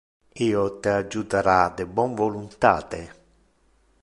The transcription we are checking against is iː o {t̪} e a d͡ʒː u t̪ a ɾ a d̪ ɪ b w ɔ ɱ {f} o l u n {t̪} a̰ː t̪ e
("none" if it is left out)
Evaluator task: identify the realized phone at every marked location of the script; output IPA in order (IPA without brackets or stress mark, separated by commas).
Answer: t̪, v, t̪